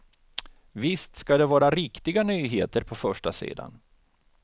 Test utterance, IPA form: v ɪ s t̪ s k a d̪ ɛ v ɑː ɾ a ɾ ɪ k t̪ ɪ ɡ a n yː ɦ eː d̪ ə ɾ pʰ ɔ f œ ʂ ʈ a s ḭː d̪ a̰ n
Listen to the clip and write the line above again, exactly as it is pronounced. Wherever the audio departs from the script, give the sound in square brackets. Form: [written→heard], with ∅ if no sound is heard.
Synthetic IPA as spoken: v ɪ s t̪ s k a d̪ ɛ v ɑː ɾ a ɾ ɪ k t̪ ɪ ɡ a n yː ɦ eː [d̪→t̪] ə ɾ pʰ ɔ f œ ʂ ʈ a s ḭː d̪ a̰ n